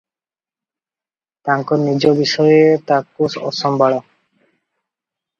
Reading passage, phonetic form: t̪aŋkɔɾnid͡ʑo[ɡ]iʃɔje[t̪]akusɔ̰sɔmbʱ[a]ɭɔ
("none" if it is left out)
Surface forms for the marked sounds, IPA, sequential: b, t̪, a

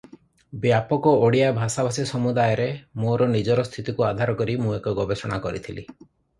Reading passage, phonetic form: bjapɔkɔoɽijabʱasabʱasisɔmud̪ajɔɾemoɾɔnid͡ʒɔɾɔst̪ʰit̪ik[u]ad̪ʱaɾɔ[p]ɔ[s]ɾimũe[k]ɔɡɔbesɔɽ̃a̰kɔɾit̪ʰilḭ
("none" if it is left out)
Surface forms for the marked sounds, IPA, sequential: u, k, none, k

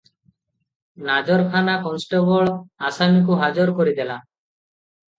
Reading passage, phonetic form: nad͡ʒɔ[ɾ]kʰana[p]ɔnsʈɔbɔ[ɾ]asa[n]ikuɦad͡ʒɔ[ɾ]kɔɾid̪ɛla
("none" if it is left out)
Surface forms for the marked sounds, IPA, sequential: ɾ, k, ɭ, m, ɾ

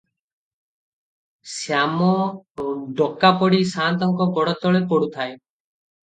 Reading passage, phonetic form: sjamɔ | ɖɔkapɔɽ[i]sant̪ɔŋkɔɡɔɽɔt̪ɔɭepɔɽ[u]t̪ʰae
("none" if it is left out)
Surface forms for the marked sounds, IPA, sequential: i, u

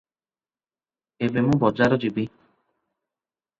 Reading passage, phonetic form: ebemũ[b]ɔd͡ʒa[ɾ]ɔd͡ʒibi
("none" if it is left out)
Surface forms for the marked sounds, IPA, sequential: b, ɾ

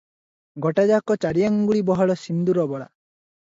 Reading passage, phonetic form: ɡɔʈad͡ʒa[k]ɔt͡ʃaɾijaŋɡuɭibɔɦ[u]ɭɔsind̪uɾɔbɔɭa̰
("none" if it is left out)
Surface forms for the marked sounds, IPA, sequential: k, ɔ

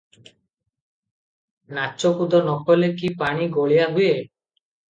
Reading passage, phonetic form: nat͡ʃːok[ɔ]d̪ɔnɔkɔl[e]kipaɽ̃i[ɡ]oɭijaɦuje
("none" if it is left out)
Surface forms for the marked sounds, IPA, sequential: u, e, ɡ

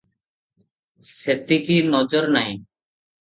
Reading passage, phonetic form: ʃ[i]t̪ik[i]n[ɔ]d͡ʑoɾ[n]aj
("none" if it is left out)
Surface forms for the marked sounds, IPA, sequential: e, i, ɔ, n

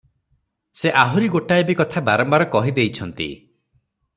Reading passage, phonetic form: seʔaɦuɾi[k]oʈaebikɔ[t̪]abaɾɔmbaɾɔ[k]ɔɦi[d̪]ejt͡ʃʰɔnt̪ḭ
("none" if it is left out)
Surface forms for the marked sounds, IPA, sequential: ɡ, t̪ʰ, k, d̪

